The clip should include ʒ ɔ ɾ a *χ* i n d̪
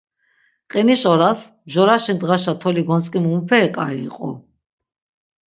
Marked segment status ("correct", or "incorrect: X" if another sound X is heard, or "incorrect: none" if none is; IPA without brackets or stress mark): incorrect: ʃ